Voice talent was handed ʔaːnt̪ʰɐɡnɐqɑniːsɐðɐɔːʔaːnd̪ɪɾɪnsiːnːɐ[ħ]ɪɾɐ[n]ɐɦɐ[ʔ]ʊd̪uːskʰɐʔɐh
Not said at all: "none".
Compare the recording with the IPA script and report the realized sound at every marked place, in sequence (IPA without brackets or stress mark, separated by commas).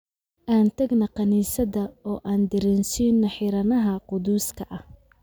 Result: ħ, n, q